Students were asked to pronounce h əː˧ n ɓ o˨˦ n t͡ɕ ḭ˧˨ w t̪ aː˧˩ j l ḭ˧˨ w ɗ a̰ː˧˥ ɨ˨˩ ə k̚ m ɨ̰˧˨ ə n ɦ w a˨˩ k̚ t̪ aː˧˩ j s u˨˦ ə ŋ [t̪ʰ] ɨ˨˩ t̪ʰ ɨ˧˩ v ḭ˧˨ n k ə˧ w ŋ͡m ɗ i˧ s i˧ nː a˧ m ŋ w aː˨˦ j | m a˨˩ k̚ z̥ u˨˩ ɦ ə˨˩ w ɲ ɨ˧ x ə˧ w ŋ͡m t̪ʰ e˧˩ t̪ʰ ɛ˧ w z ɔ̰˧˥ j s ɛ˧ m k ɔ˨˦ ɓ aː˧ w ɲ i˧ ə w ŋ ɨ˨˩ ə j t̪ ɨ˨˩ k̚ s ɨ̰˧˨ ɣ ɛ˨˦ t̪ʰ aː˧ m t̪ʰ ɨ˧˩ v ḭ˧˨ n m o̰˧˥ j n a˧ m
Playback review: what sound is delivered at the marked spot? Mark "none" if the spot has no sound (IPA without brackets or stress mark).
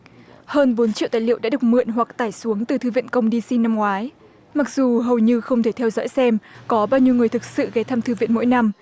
t̪